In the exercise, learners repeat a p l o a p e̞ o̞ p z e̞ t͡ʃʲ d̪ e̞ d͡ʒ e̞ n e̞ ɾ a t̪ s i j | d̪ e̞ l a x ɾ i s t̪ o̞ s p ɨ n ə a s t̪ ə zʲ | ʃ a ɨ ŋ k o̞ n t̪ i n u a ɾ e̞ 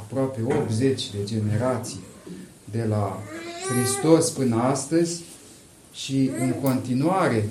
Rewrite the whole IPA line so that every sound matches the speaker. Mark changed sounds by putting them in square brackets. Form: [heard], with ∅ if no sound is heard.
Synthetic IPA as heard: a p [ɾ] o a p e̞ o̞ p z e̞ t͡ʃʲ d̪ e̞ d͡ʒ e̞ n e̞ ɾ a t̪ s i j | d̪ e̞ l a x ɾ i s t̪ o̞ s p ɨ n ə a s t̪ ə zʲ | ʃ [i] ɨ ŋ k o̞ n t̪ i n u a ɾ e̞